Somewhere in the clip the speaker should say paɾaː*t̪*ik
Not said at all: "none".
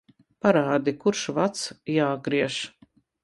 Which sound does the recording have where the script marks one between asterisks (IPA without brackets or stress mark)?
d̪